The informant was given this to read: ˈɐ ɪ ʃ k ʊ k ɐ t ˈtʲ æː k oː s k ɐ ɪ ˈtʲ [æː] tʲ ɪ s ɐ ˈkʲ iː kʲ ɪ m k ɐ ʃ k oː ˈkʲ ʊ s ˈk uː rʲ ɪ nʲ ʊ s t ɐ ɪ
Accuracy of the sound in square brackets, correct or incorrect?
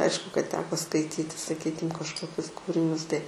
incorrect